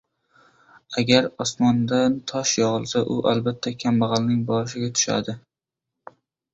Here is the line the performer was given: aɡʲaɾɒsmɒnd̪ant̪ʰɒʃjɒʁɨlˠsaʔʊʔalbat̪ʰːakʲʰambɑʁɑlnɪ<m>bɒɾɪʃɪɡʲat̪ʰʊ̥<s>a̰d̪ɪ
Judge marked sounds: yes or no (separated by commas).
no, no